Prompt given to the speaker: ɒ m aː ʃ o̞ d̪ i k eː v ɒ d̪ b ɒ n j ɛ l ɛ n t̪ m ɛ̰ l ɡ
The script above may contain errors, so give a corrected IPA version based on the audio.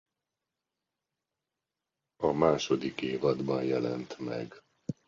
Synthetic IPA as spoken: ɒ m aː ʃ o̞ d̪ i k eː v ɒ d̪ b ɒ n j ɛ l ɛ n t̪ m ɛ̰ ɡ